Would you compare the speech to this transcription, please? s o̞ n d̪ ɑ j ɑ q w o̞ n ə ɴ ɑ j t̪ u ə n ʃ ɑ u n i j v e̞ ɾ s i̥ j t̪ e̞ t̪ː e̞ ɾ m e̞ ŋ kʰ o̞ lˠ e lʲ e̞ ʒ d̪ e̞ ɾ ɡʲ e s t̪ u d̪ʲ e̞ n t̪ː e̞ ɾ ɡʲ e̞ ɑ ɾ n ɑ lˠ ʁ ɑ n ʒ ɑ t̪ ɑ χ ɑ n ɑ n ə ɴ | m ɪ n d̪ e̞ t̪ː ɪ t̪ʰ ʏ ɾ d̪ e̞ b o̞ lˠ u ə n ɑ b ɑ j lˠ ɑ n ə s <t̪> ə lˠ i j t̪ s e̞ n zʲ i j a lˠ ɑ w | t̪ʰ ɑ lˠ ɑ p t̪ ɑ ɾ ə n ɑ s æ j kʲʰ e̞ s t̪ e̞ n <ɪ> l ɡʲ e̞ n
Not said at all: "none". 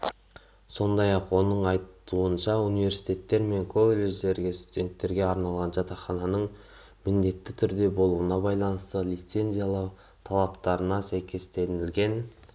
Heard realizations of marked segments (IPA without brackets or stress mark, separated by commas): t̪, ɪ